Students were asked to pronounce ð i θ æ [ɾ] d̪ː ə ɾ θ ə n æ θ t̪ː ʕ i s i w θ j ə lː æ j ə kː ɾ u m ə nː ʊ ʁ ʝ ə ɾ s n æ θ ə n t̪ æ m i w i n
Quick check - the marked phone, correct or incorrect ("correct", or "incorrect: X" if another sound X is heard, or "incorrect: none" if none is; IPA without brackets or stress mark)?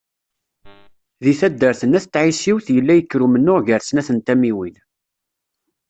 incorrect: none